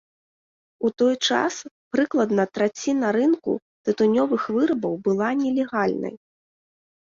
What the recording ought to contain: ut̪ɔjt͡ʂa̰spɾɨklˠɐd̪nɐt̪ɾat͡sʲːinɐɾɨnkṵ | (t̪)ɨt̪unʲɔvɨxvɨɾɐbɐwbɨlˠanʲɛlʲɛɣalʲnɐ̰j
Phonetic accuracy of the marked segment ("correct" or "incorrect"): correct